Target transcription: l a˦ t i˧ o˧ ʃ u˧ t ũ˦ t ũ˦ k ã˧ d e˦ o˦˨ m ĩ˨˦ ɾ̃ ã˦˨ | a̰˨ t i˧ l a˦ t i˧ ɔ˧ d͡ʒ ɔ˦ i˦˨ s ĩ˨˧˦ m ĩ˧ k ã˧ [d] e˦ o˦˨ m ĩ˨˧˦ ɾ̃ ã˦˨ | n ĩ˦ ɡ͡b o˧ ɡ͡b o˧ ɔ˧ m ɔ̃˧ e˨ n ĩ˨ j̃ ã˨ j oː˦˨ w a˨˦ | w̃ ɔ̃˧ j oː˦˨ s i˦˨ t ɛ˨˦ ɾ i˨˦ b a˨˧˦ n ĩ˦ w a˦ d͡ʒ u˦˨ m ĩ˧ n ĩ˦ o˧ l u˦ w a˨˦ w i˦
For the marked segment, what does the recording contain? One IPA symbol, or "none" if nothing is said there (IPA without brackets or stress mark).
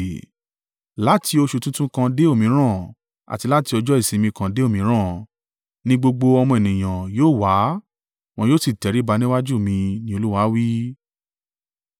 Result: d